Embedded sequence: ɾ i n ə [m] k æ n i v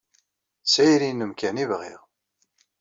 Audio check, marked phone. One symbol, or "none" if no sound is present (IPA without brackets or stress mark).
m